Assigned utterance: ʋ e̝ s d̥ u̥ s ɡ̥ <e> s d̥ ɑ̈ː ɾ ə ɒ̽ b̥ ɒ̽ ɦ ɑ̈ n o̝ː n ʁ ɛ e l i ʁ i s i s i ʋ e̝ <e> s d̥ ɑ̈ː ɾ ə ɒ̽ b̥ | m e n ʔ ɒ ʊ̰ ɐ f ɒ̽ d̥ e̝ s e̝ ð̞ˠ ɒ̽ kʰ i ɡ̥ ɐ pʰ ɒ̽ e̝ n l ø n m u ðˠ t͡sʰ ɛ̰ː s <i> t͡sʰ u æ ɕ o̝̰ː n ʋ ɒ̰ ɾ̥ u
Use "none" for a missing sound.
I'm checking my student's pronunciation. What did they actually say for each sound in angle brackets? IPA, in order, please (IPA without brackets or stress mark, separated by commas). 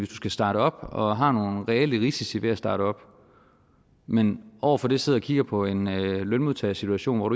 æ, æ, i